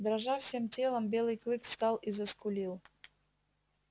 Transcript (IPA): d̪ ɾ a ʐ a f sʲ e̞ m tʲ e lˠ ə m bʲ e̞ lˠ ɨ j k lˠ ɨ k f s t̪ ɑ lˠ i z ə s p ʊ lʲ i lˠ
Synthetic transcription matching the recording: d̪ ɾ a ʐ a f sʲ e̞ m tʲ e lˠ ə m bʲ e̞ lˠ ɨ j k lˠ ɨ k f s t̪ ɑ lˠ i z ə s k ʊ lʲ i lˠ

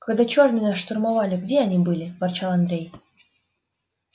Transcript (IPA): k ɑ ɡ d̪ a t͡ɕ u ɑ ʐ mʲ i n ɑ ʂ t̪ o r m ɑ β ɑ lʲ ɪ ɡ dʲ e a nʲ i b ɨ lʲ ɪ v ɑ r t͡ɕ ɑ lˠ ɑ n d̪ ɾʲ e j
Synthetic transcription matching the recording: k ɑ ɡ d̪ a t͡ɕ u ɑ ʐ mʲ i n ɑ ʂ t̪ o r m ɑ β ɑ lʲ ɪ ɡ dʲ e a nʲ i b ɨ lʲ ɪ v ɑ r t͡ɕ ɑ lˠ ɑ n d̪ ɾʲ e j

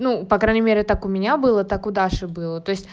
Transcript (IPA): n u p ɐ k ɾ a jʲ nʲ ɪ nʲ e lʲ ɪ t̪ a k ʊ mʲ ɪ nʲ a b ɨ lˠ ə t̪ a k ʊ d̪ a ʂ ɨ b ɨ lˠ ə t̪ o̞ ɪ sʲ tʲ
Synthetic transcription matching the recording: n u p ɐ k ɾ a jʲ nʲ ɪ mʲ e ɾʲ ɪ t̪ a k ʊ mʲ ɪ nʲ a b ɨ lˠ ə t̪ a k ʊ d̪ a ʂ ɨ b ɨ lˠ ə t̪ o̞ ɪ sʲ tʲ

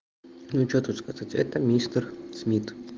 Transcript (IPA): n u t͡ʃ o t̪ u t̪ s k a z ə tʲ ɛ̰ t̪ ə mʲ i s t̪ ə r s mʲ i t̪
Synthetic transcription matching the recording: n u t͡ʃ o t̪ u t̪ s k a z a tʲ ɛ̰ t̪ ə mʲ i s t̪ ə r s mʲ i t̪

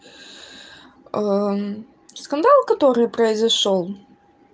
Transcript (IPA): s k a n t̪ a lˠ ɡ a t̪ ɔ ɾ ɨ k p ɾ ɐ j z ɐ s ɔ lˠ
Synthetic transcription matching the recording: s k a n d̪ a lˠ k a t̪ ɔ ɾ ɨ p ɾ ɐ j z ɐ ʂ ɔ lˠ

